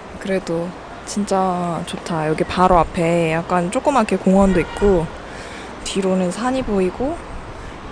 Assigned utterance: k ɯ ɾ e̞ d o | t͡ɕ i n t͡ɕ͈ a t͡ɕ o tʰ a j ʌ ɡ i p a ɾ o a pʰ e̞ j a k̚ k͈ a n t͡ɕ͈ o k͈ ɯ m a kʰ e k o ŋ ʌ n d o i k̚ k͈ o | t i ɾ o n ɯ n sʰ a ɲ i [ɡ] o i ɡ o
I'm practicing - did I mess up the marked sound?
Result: yes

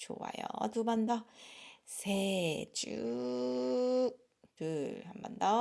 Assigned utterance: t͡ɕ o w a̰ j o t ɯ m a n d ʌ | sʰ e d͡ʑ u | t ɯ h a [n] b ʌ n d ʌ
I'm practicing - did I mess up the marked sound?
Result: yes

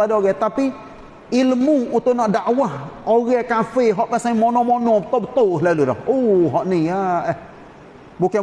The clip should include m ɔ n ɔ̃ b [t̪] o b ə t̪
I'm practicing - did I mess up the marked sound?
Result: no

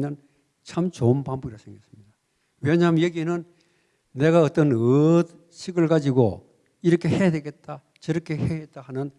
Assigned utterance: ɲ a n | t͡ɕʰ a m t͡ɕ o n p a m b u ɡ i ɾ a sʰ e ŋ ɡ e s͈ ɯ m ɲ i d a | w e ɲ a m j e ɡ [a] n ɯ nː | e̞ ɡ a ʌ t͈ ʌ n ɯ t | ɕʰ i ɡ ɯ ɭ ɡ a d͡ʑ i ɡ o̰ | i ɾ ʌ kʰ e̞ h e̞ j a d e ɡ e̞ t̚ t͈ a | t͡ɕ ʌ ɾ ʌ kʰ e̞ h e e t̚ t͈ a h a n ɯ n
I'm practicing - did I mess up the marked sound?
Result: yes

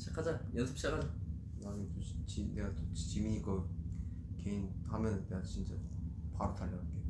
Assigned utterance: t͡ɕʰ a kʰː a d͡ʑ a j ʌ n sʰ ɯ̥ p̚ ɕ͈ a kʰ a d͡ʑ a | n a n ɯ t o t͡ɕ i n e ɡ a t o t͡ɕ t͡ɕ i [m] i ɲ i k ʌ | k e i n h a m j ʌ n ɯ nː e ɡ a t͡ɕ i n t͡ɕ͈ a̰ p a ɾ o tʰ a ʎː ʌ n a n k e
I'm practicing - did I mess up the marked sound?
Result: no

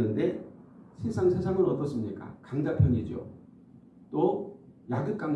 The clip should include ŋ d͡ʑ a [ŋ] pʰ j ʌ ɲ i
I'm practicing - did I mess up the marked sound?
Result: yes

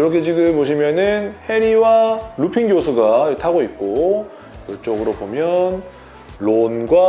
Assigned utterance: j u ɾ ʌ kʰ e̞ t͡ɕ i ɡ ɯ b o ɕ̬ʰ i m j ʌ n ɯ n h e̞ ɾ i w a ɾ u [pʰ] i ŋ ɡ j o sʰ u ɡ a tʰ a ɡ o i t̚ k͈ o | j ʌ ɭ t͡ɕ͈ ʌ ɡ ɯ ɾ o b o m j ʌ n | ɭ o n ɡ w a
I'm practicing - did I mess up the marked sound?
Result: no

